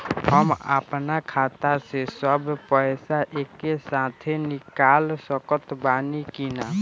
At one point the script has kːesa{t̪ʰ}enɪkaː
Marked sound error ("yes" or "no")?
no